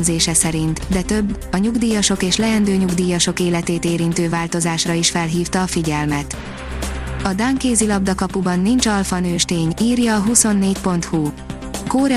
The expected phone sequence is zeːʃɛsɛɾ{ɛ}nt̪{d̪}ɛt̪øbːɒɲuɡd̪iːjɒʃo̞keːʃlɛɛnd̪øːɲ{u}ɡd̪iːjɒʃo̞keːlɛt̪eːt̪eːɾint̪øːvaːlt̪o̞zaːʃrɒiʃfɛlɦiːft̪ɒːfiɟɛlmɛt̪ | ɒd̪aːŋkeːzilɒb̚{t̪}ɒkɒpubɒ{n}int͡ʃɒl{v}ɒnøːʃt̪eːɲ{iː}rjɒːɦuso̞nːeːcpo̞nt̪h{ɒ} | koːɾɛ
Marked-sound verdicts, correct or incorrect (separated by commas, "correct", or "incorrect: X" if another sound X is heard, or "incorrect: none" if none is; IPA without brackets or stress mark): incorrect: i, correct, correct, incorrect: d̪, incorrect: nː, incorrect: f, correct, incorrect: u